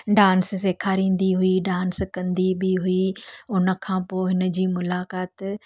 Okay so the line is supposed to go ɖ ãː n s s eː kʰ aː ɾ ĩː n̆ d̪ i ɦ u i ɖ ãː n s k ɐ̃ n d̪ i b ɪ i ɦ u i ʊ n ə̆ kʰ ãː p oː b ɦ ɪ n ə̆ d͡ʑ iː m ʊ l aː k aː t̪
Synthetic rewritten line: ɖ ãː n s s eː kʰ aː ɾ ĩː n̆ d̪ i ɦ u i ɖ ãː n s k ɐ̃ n d̪ i b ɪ i ɦ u i ʊ n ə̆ kʰ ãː p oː ɦ ɪ n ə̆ d͡ʑ iː m ʊ l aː k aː t̪